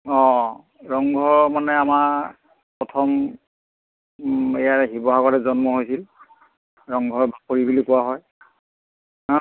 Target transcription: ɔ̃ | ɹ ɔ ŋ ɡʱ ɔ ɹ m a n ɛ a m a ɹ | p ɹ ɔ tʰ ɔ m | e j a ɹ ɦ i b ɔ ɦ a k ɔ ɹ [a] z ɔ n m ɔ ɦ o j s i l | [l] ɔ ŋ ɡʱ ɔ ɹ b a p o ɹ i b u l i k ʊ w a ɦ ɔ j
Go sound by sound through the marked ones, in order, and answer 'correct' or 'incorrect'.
incorrect, incorrect

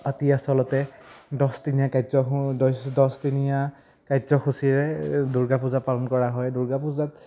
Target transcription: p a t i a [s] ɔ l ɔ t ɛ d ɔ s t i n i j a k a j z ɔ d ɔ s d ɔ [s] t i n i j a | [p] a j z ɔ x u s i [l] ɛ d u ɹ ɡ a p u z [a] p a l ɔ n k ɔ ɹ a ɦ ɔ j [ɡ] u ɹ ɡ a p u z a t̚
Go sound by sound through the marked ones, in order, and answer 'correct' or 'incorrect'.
correct, correct, incorrect, incorrect, correct, incorrect

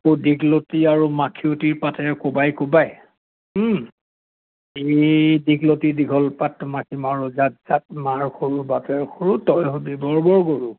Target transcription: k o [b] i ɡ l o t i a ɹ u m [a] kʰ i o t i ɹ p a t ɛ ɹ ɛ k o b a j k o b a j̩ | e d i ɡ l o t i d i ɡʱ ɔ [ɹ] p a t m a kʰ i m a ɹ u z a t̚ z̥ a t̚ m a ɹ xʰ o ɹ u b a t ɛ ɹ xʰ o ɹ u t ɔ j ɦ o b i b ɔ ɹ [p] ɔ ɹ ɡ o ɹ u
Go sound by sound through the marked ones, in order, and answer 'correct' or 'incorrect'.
incorrect, correct, incorrect, incorrect

